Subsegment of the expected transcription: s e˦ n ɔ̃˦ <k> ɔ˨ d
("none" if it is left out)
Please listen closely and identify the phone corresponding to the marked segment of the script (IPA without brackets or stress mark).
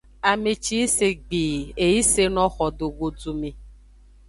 x